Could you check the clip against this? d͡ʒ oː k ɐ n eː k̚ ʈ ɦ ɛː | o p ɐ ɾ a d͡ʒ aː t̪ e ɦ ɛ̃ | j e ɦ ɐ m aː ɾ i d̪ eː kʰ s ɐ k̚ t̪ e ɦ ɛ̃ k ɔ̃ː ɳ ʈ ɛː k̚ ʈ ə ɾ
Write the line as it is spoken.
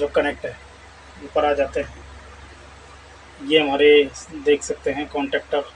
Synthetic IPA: d͡ʒ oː k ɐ n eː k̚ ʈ ɦ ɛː | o p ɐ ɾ a d͡ʒ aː t̪ e ɦ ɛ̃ | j e ɦ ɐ m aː ɾ e d̪ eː kʰ s ɐ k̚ t̪ e ɦ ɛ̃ k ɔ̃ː ɳ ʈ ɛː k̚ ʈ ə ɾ